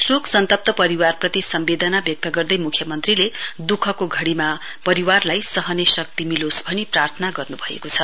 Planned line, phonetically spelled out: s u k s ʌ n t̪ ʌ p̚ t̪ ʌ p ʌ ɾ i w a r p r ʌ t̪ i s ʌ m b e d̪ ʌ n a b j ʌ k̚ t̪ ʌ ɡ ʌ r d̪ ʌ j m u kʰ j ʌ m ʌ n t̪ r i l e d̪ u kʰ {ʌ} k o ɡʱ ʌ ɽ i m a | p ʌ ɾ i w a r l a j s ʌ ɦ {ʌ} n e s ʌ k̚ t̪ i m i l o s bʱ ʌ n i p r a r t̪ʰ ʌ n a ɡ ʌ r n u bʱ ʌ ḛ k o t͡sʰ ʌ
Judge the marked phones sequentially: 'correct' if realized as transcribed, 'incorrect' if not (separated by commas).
correct, correct